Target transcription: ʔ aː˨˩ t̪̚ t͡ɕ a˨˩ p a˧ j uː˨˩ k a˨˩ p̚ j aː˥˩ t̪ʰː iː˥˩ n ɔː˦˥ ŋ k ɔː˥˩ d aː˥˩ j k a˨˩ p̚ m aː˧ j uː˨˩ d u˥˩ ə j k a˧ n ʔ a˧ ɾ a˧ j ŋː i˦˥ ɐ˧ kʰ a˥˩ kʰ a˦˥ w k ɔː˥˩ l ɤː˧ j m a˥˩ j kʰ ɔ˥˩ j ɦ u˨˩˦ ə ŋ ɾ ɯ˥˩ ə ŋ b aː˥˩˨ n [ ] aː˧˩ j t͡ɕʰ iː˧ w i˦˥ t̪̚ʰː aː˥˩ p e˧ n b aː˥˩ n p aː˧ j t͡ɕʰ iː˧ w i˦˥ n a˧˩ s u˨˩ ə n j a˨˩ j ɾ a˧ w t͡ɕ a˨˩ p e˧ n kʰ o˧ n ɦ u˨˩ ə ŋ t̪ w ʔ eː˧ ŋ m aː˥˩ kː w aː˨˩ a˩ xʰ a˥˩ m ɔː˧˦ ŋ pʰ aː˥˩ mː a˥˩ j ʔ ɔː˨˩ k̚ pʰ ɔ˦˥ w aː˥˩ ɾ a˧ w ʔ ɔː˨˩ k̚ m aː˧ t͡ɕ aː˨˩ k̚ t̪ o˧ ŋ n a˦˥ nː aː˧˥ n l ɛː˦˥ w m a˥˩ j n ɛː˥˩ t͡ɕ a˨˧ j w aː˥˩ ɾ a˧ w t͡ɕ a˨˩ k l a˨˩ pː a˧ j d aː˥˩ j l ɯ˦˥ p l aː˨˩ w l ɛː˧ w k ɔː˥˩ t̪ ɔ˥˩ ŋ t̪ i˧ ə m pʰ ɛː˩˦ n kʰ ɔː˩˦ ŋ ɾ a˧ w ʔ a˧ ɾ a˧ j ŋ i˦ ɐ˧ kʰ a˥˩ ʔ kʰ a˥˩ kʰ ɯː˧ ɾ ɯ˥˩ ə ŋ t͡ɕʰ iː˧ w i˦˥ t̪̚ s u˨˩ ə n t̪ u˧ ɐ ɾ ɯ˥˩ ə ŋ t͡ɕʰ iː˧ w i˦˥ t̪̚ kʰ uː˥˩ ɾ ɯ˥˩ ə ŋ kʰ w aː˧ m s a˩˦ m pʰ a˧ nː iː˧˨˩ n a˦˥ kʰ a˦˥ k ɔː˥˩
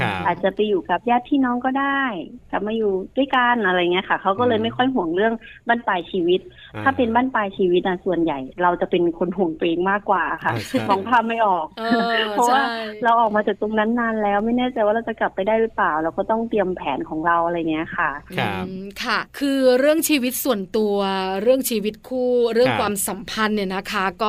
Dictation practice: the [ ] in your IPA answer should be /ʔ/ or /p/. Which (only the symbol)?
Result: p